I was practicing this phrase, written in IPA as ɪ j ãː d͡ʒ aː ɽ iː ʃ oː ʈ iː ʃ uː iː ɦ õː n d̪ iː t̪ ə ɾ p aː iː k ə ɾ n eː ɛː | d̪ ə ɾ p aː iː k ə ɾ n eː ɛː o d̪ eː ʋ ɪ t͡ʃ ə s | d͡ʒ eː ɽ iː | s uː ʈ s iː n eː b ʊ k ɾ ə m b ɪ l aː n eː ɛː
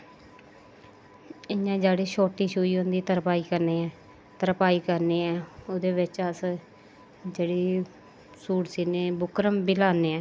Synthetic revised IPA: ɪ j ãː d͡ʒ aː ɽ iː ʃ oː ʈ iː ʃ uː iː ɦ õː n d̪ iː t̪ ə ɾ p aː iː k ə ɾ n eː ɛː | t̪ ə ɾ p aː iː k ə ɾ n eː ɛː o d̪ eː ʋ ɪ t͡ʃ ə s | d͡ʒ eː ɽ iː | s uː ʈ s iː n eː b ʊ k ɾ ə m b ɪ l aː n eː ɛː